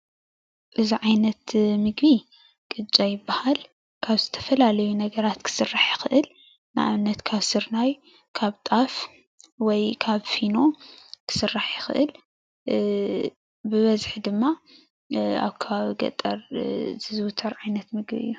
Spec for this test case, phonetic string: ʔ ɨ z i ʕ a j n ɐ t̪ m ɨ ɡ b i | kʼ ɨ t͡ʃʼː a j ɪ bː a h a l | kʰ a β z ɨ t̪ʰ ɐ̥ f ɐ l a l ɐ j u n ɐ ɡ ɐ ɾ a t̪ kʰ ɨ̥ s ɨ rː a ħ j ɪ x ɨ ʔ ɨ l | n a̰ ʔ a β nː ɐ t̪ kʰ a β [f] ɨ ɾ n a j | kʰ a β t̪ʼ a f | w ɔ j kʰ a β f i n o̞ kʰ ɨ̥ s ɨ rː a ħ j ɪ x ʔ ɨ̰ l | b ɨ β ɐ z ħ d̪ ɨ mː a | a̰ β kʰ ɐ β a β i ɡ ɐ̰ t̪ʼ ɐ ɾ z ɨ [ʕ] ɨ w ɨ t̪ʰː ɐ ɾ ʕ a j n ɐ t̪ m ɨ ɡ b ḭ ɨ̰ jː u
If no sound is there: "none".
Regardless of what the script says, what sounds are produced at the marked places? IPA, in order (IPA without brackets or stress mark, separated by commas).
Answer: s, z